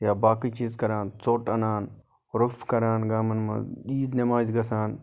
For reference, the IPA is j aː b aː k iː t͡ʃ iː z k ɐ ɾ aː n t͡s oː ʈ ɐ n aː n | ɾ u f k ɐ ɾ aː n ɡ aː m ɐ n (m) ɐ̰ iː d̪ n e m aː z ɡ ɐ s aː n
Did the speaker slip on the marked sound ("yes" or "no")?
no